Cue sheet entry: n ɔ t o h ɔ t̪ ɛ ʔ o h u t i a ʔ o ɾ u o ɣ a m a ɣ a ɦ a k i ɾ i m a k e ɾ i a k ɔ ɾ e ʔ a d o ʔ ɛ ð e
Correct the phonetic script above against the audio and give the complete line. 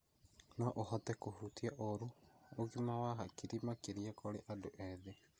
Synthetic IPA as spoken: n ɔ ʔ o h ɔ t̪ ɛ k o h u t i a ʔ o ɾ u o ɣ i m a w a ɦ a k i ɾ i m a k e ɾ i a k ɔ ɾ e ʔ a d o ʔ ɛ ð e